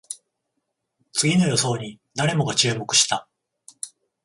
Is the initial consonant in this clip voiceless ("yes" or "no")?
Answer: yes